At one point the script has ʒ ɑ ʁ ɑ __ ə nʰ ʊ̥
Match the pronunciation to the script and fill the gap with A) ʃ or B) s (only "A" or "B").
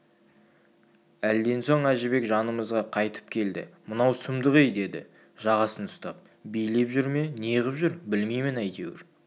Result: B